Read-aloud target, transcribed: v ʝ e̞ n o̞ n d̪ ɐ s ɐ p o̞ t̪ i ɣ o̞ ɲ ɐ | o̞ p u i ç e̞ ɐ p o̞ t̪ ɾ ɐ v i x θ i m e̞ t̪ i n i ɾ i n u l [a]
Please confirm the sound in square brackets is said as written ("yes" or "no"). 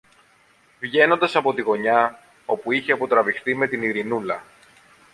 no